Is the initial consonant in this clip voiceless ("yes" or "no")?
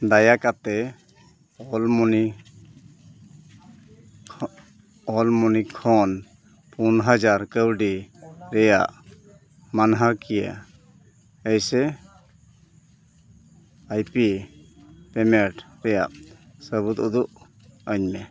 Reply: no